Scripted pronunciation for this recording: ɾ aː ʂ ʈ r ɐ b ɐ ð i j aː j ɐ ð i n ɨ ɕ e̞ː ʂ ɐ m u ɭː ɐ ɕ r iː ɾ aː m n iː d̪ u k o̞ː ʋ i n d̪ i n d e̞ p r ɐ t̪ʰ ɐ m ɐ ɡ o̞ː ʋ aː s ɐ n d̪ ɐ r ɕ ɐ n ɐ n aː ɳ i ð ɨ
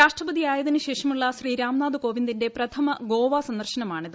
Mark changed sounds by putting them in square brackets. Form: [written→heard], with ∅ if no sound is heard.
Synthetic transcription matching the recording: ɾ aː ʂ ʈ r ɐ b ɐ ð i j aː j ɐ ð i n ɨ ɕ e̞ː ʂ ɐ m u ɭː ɐ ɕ r iː ɾ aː m n [iː→aː] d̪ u k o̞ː ʋ i n d̪ i n d e̞ p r ɐ t̪ʰ ɐ m ɐ ɡ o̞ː ʋ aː s ɐ n d̪ ɐ r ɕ ɐ n ɐ [n→m] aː ɳ i ð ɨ